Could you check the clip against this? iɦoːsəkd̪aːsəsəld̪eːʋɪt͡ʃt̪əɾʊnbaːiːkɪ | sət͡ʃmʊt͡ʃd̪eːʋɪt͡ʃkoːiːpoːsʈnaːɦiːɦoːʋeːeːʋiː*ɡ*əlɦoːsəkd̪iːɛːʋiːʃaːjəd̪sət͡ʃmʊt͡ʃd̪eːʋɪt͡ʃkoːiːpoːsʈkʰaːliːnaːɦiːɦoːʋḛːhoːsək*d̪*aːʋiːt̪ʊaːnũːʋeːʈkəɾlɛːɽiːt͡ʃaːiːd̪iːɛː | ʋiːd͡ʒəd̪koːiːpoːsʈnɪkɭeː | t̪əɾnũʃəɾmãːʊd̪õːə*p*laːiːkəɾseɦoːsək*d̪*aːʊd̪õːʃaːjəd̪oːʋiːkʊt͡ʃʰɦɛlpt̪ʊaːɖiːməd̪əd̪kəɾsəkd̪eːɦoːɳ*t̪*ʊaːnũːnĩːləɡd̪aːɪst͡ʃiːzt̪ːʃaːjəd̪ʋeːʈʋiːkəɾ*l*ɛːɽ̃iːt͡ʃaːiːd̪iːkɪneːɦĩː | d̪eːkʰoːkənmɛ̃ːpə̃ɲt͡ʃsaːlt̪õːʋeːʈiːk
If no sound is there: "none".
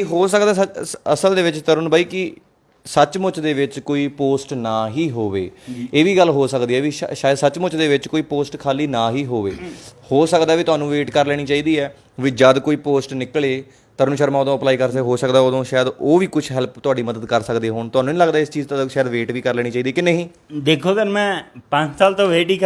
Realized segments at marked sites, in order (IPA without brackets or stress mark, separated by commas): ɡ, d̪, p, d̪, t̪, l